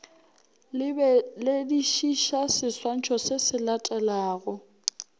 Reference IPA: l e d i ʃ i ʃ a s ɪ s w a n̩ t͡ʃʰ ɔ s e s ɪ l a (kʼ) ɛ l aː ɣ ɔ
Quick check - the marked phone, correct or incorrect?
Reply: incorrect: tʼ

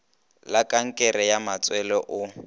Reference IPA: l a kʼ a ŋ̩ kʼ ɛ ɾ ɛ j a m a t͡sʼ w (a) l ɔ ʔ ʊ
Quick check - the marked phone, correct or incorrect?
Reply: incorrect: ɛ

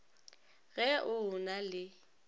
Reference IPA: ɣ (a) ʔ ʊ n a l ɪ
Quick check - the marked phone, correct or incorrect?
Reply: incorrect: ɛ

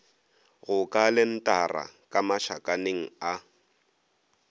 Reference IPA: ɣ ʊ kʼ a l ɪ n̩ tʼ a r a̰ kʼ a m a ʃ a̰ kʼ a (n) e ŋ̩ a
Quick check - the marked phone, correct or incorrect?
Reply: correct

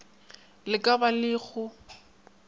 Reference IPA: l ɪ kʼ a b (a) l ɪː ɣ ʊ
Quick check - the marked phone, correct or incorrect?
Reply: correct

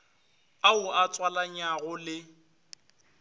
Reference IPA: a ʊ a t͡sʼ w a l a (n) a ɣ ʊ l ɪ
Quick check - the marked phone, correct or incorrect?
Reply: incorrect: ɲ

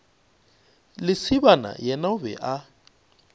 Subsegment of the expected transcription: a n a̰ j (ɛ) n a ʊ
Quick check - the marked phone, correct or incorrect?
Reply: correct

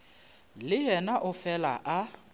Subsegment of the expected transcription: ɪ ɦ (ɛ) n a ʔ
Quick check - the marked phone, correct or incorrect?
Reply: correct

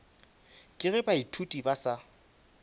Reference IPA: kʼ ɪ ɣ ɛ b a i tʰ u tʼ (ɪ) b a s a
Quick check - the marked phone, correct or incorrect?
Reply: incorrect: i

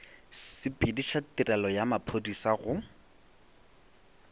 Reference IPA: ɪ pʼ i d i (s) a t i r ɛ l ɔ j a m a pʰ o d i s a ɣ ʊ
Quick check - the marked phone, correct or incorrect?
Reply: incorrect: ʃ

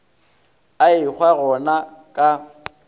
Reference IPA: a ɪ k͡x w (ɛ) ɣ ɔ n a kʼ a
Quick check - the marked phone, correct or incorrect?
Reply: incorrect: a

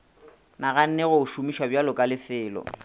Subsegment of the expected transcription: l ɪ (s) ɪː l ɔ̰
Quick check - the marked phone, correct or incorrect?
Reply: incorrect: f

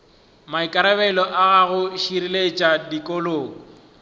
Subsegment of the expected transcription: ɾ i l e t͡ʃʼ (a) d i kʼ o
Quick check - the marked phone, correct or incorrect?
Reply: correct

